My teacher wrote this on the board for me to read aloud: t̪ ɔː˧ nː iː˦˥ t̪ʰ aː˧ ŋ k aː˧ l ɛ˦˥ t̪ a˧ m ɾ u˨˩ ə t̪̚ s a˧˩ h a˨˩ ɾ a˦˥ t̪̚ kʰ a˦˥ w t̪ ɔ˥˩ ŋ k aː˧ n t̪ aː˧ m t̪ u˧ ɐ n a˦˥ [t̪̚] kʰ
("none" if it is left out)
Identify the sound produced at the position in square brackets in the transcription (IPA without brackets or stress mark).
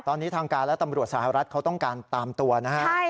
none